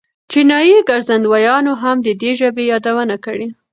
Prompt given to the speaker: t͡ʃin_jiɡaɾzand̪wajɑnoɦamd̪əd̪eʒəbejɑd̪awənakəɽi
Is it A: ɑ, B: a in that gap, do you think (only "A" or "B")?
A